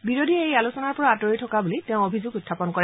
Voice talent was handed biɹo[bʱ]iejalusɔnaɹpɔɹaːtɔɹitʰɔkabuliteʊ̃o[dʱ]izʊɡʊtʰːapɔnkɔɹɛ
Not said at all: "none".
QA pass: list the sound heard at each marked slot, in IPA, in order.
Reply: dʱ, bʱ

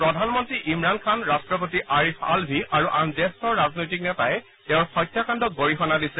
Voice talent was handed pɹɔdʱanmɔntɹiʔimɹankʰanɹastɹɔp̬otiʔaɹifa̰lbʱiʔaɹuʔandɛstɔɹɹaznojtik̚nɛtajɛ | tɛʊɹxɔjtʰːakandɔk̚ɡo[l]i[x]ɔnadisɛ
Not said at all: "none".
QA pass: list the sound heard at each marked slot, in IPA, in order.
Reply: ɹ, x

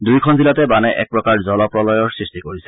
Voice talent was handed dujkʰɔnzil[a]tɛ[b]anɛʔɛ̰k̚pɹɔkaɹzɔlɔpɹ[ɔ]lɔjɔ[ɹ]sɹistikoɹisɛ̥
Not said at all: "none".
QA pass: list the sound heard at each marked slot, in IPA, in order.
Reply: a, b, ɔ, ɹ

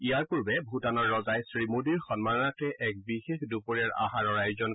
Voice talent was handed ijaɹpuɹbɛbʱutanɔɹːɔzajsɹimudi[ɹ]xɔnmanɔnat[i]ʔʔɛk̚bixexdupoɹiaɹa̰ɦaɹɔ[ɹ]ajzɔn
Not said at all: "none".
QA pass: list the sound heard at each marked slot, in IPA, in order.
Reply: ɹ, ɛ, ɹ

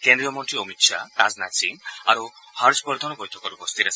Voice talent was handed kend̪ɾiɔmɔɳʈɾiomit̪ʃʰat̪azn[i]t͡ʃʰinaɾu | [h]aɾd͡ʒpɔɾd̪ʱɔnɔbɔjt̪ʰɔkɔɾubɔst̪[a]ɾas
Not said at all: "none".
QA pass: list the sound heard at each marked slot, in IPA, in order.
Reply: a, h, i

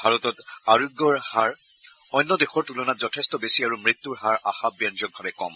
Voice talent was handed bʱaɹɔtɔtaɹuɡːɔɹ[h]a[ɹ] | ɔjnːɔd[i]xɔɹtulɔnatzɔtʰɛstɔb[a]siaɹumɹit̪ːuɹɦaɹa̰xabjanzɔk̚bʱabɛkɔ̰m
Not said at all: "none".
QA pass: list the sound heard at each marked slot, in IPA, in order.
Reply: h, ɹ, e, e

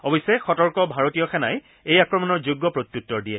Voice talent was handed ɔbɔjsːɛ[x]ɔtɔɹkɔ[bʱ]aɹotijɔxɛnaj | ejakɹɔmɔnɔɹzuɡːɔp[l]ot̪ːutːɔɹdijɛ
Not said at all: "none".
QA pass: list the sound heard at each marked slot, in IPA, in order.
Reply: x, bʱ, ɹ

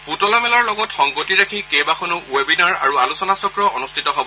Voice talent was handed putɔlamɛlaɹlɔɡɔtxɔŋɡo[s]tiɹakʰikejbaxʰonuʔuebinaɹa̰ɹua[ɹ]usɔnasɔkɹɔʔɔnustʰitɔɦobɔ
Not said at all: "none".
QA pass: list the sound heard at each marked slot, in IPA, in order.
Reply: none, l

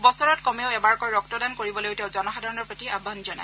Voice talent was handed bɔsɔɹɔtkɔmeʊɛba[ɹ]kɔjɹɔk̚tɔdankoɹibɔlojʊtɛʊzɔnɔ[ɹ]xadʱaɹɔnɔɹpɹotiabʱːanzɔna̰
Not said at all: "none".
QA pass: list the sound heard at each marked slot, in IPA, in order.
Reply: ɹ, none

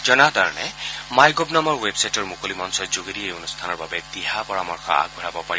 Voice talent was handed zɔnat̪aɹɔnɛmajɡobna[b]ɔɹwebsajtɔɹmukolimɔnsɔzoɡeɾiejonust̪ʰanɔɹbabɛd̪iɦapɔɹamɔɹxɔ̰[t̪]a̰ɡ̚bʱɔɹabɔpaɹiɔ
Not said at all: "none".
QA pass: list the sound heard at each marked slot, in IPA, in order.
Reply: m, none

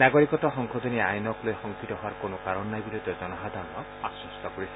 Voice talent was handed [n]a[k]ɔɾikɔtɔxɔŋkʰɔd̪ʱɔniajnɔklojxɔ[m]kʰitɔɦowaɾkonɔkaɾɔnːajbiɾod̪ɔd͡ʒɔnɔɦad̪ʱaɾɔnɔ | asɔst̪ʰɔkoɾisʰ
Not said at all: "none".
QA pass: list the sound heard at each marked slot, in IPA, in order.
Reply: n, ɡ, ŋ

